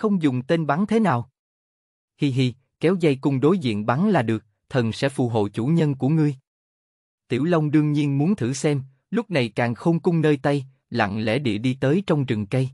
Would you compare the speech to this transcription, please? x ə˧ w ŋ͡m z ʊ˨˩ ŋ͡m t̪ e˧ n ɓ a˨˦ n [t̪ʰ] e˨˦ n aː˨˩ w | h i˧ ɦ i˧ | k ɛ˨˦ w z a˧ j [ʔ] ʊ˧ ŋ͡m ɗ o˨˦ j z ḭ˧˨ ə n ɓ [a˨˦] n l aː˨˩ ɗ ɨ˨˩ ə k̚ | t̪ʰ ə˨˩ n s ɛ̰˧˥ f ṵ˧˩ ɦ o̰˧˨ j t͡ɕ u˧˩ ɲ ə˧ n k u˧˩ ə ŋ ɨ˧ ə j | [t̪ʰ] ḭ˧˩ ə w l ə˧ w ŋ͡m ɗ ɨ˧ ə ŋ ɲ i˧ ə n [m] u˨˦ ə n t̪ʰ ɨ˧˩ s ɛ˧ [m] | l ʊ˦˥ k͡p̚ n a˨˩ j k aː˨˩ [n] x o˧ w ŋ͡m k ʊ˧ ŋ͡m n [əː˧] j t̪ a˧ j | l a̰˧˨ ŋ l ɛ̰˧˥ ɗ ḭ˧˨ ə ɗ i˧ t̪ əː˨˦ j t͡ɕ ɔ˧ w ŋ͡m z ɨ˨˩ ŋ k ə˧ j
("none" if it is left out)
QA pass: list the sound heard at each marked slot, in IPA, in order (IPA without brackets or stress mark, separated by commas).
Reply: t̪ʰ, k, a˨˦, t̪, m, m, ŋ, əː˧